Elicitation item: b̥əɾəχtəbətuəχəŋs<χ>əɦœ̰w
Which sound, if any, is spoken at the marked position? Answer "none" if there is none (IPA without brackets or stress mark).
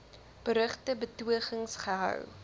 χ